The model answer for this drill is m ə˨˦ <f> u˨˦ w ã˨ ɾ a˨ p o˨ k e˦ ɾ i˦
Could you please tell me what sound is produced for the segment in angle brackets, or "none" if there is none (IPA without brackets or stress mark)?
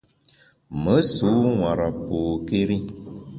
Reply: s